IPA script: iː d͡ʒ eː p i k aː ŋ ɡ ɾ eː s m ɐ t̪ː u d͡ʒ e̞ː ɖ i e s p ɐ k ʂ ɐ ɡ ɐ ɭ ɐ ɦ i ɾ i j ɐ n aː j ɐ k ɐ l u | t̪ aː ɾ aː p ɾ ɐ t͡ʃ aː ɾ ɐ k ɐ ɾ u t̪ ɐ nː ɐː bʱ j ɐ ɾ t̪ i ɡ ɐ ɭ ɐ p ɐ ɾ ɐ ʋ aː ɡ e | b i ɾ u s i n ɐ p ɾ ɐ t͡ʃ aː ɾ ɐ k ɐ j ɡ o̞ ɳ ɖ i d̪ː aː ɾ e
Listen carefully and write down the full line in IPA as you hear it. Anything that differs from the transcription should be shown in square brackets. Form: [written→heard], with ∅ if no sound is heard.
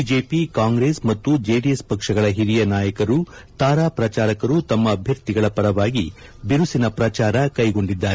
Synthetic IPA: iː d͡ʒ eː p i k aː ŋ ɡ ɾ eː s m ɐ t̪ː u d͡ʒ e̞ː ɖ i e s p ɐ k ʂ ɐ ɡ ɐ ɭ ɐ ɦ i ɾ i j ɐ n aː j ɐ k ɐ [l→ɾ] u | t̪ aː ɾ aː p ɾ ɐ t͡ʃ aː ɾ ɐ k ɐ ɾ u t̪ ɐ [nː→mː] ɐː bʱ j ɐ ɾ t̪ i ɡ ɐ ɭ ɐ p ɐ ɾ ɐ ʋ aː ɡ [e→i] | b i ɾ u s i n ɐ p ɾ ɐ t͡ʃ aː ɾ ɐ k ɐ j ɡ o̞ ɳ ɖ i d̪ː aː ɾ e

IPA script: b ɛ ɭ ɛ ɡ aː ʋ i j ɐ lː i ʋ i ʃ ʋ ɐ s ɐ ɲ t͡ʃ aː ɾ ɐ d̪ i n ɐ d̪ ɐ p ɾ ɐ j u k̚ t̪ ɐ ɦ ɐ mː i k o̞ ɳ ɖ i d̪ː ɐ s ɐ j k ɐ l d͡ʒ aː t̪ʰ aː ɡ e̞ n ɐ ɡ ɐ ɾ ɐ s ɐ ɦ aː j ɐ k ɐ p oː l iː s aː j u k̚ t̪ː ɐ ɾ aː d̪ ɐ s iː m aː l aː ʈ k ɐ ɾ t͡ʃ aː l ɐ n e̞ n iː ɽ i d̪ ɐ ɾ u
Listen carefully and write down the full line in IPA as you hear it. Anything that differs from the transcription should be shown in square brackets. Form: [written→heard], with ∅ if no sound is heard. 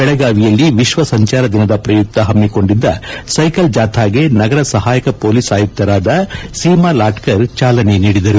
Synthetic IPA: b ɛ ɭ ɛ ɡ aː ʋ i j ɐ lː i ʋ i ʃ ʋ ɐ s ɐ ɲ t͡ʃ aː ɾ ɐ d̪ i n ɐ d̪ ɐ p ɾ ɐ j u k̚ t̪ ɐ ɦ ɐ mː i k o̞ ɳ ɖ i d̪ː ɐ s ɐ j k ɐ l d͡ʒ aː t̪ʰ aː ɡ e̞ n ɐ ɡ ɐ ɾ ɐ s ɐ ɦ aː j ɐ k ɐ p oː l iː s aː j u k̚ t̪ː ɐ ɾ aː d̪ ɐ s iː m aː l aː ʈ k ɐ ɾ t͡ʃ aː l ɐ n e̞ n iː ɽ i d̪ ɐ ɾ u

